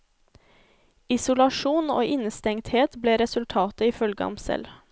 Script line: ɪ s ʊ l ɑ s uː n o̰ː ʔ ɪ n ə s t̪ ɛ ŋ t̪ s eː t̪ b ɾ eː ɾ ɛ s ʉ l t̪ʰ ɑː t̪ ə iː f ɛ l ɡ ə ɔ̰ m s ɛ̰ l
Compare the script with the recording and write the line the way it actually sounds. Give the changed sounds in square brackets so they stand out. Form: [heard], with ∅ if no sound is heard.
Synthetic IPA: ɪ s ʊ l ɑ [ʃ] uː n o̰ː ʔ ɪ n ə s t̪ ɛ ŋ t̪ [h] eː t̪ b [l] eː ɾ ɛ s ʉ l t̪ʰ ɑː t̪ ə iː f [œ] l ɡ ə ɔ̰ m s ɛ̰ l

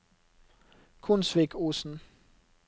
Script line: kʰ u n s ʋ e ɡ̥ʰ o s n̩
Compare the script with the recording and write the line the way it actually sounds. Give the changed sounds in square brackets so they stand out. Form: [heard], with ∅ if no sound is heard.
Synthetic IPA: kʰ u n s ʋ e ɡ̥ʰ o s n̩

